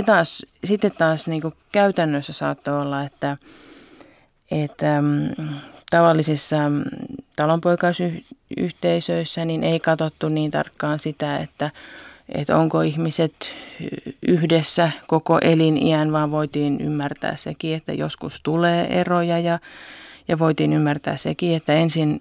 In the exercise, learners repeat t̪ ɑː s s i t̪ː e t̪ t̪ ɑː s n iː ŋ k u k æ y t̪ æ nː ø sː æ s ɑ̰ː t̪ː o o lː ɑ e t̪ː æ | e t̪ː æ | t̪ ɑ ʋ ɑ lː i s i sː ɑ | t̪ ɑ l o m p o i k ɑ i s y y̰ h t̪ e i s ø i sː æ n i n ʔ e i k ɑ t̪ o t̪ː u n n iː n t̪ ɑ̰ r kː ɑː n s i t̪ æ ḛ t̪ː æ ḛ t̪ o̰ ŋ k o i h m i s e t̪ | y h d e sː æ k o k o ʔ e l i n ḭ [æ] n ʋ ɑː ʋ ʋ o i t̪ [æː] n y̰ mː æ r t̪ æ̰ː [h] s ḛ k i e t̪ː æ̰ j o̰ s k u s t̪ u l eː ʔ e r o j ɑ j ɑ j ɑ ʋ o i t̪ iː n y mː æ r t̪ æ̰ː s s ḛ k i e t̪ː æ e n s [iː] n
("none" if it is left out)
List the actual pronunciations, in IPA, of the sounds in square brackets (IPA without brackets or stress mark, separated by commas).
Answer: æ, iː, s, i